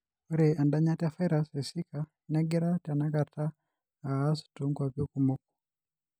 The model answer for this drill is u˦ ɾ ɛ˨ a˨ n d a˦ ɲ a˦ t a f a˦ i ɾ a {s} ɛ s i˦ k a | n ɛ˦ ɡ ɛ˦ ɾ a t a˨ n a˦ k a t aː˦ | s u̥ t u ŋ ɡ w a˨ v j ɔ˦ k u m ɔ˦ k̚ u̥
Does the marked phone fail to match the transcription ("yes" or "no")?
no